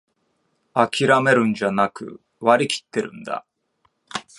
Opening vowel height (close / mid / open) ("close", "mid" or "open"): open